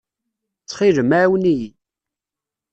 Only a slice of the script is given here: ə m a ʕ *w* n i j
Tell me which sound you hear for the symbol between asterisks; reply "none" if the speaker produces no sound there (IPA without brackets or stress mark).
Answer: w